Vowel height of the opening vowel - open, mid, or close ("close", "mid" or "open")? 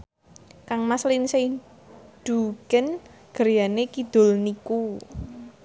open